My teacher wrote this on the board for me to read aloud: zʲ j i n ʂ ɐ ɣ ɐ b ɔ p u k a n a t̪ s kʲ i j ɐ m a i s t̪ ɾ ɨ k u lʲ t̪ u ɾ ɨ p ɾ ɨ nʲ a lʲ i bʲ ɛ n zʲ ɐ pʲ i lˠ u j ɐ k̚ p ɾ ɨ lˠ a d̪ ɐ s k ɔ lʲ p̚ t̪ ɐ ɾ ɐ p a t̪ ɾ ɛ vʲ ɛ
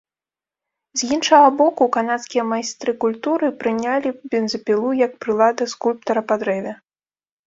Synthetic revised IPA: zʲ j i n ʂ ɐ ɣ ɐ b ɔ k u k a n a t̪ s kʲ i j ɐ m a j s t̪ ɾ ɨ k u lʲ t̪ u ɾ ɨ p ɾ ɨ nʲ a lʲ i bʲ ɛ n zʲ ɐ pʲ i lˠ u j ɐ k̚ p ɾ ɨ lˠ a d̪ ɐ s k u lʲ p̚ t̪ ɐ ɾ ɐ p a d̪ ɾ ɛ vʲ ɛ